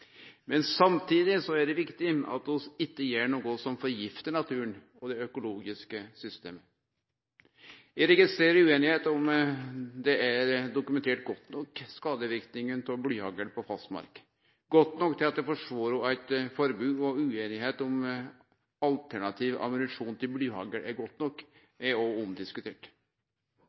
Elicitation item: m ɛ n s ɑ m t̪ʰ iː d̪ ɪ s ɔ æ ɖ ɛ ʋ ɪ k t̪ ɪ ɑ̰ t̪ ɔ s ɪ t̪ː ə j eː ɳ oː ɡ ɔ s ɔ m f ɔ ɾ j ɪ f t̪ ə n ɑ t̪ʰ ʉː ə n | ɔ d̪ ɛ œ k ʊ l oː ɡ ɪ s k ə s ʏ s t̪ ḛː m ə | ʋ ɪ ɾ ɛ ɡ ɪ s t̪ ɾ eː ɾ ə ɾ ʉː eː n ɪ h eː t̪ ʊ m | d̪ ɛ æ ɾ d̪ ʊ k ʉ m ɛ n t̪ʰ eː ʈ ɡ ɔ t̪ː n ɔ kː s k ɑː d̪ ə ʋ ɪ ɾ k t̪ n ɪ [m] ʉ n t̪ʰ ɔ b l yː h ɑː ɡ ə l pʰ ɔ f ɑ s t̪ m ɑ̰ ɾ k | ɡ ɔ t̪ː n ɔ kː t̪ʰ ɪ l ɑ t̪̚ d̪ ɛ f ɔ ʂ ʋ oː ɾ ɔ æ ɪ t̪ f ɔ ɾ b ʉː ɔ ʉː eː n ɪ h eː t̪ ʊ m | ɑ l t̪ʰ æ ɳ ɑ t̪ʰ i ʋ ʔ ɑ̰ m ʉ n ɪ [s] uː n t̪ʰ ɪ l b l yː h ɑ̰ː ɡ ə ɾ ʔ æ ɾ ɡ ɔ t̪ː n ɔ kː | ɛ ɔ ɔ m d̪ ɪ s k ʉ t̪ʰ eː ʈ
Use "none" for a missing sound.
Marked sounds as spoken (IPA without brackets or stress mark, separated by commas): ŋ, ʂ